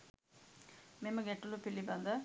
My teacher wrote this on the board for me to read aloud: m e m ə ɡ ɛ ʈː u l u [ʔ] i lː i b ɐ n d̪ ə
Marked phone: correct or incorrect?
incorrect: p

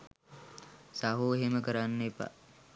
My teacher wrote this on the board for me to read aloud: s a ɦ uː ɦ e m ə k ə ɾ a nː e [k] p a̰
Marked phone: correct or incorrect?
incorrect: none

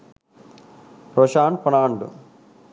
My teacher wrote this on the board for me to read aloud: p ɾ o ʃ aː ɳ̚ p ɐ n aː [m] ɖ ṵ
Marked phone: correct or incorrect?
incorrect: ɳ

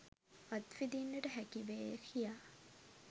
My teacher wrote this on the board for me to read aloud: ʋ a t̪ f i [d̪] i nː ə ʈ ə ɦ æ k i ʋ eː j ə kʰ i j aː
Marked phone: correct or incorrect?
correct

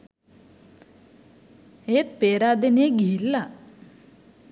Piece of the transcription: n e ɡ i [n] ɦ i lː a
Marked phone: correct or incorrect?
incorrect: none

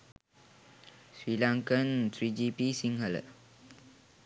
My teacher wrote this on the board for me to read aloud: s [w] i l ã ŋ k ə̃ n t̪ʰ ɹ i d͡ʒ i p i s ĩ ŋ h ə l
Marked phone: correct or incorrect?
correct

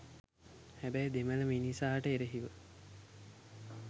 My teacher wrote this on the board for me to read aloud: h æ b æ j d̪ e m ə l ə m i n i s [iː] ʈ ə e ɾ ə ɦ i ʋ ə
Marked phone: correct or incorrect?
incorrect: aː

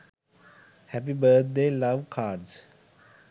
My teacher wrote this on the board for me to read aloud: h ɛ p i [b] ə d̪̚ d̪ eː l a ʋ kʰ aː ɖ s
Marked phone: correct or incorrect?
correct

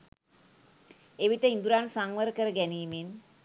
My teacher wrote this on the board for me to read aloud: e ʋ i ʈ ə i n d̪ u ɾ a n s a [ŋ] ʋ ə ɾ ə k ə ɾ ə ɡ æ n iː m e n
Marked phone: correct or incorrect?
correct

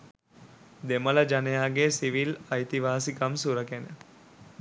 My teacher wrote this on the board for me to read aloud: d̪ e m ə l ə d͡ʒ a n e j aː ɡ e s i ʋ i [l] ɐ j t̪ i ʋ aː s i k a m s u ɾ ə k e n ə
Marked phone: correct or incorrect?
correct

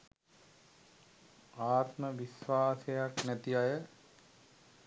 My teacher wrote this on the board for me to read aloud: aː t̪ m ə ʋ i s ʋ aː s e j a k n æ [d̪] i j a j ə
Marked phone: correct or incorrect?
incorrect: t̪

